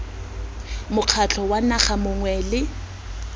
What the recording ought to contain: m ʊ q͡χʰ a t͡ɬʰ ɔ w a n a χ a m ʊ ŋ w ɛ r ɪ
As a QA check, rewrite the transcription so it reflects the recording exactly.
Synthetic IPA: m ʊ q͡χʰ a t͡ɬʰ ɔ w a n a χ a m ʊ ŋ w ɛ l ɪ

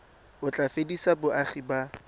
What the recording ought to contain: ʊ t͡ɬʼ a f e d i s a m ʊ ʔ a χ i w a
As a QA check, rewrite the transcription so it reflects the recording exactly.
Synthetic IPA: ʊ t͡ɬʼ a f e d i s a b ʊ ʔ a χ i b a

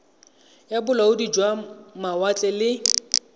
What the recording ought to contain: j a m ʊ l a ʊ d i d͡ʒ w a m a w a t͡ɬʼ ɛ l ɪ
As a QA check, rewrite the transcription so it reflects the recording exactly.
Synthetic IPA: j a b ʊ l a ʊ d i d͡ʒ w a m a w a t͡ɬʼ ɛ l ɪ

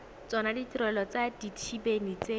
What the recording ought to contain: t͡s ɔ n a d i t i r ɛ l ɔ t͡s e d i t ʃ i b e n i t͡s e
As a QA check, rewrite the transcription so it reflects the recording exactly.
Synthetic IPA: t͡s ɔ n a d i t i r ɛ l ɔ t͡s a d i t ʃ i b e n i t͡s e

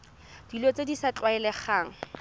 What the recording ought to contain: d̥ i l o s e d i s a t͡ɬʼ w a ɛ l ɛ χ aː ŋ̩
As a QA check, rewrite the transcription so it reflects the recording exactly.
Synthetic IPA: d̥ i l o t͡s e d i s a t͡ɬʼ w a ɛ l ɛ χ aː ŋ̩

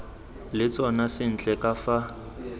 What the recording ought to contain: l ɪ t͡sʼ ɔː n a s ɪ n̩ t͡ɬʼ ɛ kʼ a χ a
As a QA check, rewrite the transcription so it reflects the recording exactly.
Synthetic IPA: l ɪ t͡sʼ ɔ n a s ɪ n̩ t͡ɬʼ ɛ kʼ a f a

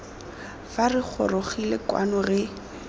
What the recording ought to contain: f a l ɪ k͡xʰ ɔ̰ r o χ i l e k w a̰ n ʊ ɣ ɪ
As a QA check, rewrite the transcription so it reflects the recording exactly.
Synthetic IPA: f a r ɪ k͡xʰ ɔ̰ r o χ i l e k w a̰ n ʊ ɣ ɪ

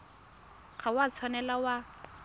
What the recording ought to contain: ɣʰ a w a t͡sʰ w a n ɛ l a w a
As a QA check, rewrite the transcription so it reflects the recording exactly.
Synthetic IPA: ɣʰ a w a t͡sʰ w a n ɛ l a w a

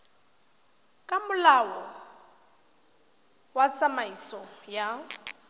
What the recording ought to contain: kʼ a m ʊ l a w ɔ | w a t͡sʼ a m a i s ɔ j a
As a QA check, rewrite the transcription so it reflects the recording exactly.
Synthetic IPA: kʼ a m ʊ l a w ɔ | w a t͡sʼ a m a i s ɔ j a

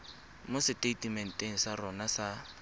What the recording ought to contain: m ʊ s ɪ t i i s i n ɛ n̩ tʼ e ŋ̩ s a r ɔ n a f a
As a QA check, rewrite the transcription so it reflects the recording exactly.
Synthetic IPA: m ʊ s ɪ t e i t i m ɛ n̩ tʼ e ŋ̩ s a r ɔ n a s a

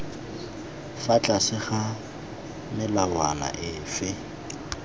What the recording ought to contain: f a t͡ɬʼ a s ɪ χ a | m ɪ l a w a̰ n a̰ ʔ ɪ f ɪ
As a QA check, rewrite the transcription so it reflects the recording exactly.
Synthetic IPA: f a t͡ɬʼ a s ɪ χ a | m ɪ l a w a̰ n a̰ ʔ ɪ f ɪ

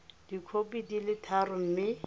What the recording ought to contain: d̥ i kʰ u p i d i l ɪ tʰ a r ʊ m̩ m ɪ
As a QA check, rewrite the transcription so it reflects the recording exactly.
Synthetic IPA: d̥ i kʰ o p i d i l ɪ tʰ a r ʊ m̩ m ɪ

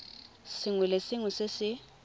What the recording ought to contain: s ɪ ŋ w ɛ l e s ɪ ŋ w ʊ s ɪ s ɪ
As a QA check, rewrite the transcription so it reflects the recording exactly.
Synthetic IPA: s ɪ ŋ w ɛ l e s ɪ ŋ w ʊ s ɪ s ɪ

